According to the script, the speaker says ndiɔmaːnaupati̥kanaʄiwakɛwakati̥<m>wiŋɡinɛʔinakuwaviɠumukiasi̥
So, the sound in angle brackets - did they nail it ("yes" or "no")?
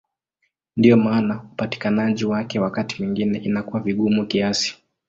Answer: yes